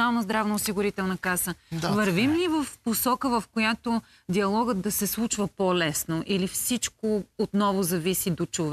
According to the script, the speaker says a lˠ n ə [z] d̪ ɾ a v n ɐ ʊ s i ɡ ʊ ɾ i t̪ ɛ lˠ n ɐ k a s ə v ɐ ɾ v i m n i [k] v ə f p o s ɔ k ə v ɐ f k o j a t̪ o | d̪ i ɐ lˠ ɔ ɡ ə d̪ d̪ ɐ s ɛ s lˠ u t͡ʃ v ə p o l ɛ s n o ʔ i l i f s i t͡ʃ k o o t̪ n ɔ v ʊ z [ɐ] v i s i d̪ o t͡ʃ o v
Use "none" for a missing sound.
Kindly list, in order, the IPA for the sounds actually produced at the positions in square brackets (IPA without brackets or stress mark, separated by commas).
z, none, ɐ